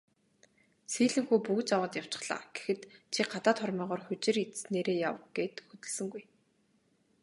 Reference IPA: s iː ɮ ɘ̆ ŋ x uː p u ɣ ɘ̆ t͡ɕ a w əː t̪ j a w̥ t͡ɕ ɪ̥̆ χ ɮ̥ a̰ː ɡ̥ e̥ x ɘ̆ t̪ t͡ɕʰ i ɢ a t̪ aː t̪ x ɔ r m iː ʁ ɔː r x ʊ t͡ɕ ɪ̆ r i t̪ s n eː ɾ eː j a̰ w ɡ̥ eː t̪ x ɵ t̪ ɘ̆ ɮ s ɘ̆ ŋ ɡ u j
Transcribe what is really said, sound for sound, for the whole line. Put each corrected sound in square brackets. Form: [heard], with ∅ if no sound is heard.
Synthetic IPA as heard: s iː ɮ ɘ̆ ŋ x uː p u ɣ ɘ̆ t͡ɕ a w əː t̪ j a w̥ t͡ɕ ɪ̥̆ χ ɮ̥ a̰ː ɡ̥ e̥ x ɘ̆ t̪ t͡ɕʰ i ɢ a t̪ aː t̪ [χ] ɔ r m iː ʁ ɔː r x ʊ t͡ɕ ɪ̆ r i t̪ s n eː ɾ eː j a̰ w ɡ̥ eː t̪ x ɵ t̪ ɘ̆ ɮ s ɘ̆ ŋ ɡ u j